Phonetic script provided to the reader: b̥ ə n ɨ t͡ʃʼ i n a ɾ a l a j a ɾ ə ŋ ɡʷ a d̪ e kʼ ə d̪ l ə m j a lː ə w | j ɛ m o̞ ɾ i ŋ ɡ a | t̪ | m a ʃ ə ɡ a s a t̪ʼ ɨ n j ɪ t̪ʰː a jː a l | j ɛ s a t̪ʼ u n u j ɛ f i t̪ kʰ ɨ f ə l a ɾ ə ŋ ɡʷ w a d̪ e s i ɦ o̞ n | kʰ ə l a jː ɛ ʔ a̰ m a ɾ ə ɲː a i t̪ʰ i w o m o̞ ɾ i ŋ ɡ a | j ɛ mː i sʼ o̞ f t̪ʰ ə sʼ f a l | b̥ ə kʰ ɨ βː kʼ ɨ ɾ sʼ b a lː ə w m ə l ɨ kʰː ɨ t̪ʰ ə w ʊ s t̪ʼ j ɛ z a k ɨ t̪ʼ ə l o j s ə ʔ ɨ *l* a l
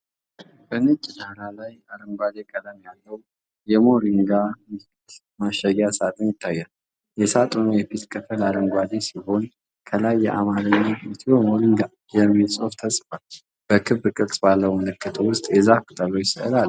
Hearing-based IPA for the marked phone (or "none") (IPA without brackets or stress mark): l